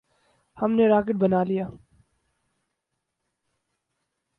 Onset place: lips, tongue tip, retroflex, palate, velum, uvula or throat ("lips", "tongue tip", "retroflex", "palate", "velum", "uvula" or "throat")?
throat